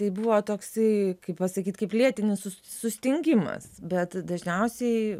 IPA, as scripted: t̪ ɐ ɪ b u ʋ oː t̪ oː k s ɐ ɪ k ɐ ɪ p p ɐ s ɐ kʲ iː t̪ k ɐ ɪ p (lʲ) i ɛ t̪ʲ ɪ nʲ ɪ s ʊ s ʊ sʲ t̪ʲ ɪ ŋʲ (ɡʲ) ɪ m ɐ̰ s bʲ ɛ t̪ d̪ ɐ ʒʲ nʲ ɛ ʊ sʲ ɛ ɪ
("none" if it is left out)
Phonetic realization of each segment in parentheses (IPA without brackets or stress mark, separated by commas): lʲ, ɡʲ